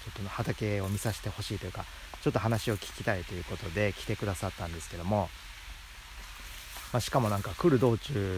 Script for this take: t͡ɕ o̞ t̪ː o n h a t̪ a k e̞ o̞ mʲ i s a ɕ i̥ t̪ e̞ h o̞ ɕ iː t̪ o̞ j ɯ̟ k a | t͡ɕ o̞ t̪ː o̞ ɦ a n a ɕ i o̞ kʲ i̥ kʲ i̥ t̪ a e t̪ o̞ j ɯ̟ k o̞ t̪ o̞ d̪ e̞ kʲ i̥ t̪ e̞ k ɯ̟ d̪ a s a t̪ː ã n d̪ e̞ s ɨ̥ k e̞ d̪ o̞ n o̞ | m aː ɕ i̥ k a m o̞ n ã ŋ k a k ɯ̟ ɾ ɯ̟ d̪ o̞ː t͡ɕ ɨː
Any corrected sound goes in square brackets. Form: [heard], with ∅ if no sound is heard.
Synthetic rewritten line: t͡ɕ o̞ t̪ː o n h a t̪ a k e̞ o̞ mʲ i s a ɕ i̥ t̪ e̞ h o̞ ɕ iː t̪ o̞ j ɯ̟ k a | t͡ɕ o̞ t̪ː o̞ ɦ a n a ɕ i o̞ kʲ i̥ kʲ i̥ t̪ a [i] t̪ o̞ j ɯ̟ k o̞ t̪ o̞ d̪ e̞ kʲ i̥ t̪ e̞ k ɯ̟ d̪ a s a t̪ː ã n d̪ e̞ s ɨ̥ k e̞ d̪ o̞ [m] o̞ | m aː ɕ i̥ k a m o̞ n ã ŋ k a k ɯ̟ ɾ ɯ̟ d̪ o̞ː t͡ɕ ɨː